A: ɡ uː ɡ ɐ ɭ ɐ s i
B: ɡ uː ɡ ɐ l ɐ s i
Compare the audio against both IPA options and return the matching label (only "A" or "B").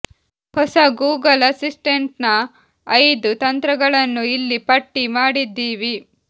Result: B